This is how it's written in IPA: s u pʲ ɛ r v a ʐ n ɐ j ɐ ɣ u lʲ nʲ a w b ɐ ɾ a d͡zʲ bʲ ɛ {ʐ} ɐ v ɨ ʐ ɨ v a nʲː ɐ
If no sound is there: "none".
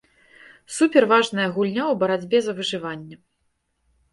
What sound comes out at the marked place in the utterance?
z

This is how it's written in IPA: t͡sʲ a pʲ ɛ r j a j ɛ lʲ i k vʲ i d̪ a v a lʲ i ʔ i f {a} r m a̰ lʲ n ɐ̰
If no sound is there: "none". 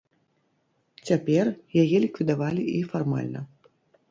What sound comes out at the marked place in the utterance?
a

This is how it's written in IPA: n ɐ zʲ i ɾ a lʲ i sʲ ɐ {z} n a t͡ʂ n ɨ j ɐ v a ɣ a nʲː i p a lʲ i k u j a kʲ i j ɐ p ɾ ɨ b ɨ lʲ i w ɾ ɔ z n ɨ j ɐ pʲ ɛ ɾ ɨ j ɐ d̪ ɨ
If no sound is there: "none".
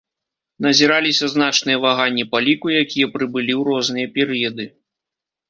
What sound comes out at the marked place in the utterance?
z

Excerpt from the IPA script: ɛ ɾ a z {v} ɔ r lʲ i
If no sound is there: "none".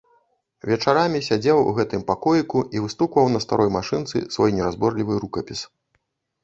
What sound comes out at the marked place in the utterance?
b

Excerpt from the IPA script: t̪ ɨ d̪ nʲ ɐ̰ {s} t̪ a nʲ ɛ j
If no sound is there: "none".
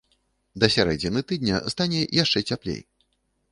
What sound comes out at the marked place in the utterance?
s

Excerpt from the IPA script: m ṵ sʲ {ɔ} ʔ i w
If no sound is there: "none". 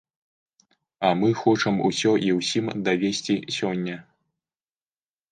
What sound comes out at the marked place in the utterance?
ɔ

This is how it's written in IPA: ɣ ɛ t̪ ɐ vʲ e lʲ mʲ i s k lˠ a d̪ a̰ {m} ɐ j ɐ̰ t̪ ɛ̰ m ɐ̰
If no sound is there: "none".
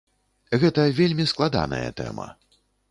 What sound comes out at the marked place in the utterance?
n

